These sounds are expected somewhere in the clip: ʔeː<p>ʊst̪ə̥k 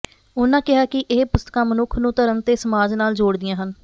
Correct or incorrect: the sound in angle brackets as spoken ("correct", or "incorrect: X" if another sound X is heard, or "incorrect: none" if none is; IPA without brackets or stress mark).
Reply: correct